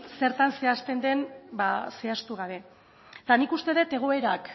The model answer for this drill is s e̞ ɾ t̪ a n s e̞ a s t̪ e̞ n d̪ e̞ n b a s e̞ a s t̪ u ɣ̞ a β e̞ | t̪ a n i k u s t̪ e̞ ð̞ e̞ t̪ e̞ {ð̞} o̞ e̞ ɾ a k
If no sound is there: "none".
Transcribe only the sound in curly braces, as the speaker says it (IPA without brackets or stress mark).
ɣ̞